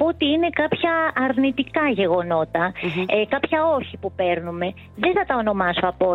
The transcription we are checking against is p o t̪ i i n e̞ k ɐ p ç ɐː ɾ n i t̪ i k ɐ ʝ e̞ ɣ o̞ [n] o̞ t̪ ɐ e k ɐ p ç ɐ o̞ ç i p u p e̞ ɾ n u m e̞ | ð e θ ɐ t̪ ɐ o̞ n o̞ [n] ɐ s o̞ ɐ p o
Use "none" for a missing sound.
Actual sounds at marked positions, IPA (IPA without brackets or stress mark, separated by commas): n, m